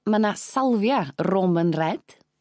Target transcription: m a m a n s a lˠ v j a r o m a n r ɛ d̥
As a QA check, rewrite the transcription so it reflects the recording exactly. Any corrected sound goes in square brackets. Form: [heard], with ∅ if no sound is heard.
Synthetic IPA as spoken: m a [n] a [∅] s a lˠ v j a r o m [ə] n r ɛ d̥